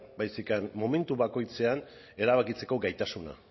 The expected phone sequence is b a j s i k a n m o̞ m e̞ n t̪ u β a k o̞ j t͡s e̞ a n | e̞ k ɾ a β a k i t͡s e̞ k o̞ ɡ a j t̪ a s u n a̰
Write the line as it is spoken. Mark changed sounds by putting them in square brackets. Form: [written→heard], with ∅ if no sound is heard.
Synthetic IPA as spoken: b a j s i k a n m o̞ m e̞ n t̪ u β a k o̞ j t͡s e̞ a n | e̞ [k→∅] ɾ a β a k i t͡s e̞ k o̞ ɡ a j t̪ a s u n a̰